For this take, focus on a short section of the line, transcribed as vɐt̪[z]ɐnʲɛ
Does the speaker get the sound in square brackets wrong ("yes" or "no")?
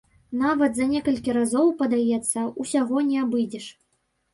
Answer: no